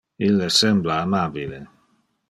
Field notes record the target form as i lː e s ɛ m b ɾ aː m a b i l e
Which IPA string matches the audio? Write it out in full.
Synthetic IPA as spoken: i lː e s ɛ m b l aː m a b i l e

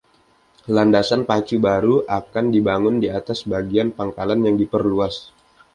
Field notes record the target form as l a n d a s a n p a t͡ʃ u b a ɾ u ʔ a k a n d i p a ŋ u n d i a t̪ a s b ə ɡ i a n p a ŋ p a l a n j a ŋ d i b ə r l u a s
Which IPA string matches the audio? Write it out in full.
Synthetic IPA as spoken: l a n d a s a n p a t͡ʃ u b a ɾ u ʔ a k a n d i b a ŋ ʊ n d i a t̪ a s b a ɡ i a n p a ŋ k a l a n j a ŋ d i p ə r l u a s

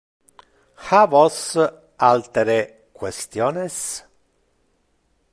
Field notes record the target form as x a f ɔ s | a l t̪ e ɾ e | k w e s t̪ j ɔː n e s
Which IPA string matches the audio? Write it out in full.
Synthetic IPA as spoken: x a v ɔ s | a l t̪ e ɾ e | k w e s t̪ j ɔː n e s

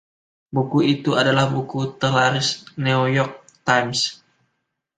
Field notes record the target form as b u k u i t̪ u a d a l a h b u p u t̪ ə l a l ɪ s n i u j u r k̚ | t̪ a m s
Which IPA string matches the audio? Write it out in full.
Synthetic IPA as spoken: b u k u i t̪ u a d a l a h b u k u t̪ ə l a ɾ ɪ s n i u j ɔ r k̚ | t̪ a m s

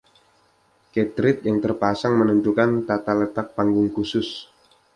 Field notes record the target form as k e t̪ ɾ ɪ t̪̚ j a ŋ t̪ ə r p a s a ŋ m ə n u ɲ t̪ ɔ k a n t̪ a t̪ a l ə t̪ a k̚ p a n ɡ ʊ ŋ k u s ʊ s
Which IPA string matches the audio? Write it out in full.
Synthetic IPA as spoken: k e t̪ ɾ ɪ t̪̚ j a ŋ t̪ ə r p a s a ŋ m ə n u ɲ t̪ u k a n t̪ a t̪ a l ə t̪ a k̚ p a ŋ ɡ ʊ ŋ k u s ʊ s

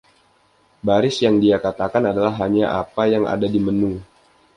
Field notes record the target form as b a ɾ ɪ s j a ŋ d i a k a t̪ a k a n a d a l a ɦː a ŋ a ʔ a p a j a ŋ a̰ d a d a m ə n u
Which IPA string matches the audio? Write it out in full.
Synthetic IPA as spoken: b a ɾ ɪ s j a ŋ d i a k a t̪ a k a n a d a l a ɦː a ɲ a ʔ a p a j a ŋ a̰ d a d i m ə n u

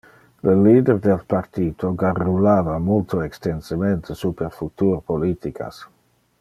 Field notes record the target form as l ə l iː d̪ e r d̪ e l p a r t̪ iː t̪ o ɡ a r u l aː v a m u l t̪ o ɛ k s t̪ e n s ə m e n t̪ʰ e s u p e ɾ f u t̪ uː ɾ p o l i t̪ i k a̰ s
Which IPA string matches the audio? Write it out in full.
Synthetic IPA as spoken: l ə l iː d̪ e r d̪ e l p a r t̪ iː t̪ o ɡ a r u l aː v a m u l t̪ o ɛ k s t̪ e n s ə m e n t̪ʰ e s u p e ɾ f u t̪ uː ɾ p o l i t̪ i k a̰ s

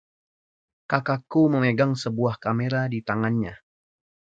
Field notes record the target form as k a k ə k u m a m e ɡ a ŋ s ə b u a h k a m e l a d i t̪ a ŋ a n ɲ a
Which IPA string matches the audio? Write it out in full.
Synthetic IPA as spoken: k a k a k u m ə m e ɡ a ŋ s ə b u a h k a m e ɾ a d i t̪ a ŋ a n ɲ a

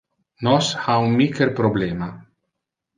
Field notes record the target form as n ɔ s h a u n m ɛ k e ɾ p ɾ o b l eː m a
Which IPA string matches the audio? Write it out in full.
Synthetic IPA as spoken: n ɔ s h a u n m i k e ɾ p ɾ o b l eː m a

